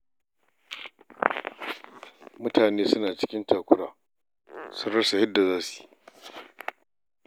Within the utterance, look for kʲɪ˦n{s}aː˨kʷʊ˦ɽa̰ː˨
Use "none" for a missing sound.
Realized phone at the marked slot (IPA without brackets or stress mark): t